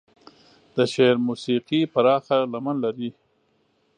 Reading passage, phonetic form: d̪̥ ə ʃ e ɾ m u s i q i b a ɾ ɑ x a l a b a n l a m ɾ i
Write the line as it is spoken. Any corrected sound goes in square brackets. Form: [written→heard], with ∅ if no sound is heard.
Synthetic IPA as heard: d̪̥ ə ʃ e ɾ m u s i q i [b→p] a ɾ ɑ x a l a [b→m] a n l a [m→∅] ɾ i